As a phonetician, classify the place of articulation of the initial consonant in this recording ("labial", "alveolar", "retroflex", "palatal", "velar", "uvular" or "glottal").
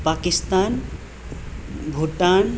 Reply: labial